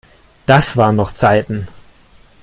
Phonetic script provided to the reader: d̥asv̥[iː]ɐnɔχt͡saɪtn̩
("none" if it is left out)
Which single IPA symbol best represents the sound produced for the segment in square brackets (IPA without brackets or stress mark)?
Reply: aː